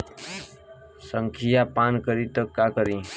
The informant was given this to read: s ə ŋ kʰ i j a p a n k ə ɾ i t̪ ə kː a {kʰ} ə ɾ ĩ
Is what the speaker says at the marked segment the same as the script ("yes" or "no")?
no